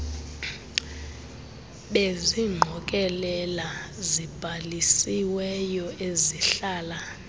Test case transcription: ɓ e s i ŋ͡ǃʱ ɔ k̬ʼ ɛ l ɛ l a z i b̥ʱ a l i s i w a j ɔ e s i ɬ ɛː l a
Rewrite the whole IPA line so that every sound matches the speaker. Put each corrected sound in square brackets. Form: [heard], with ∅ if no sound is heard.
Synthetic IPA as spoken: ɓ e [z] i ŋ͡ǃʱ ɔ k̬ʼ ɛ l ɛ l a z i b̥ʱ a l i s i w [ɛ] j ɔ e [z] i ɬ [aː] l a